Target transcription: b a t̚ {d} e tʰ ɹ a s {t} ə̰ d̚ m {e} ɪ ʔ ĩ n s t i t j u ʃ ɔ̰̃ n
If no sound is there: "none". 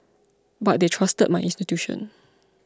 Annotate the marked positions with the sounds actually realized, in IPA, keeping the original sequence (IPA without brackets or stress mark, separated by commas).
d, t, a